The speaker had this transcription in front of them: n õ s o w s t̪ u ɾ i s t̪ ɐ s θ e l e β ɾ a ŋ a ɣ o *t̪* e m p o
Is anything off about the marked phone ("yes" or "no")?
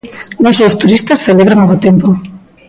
no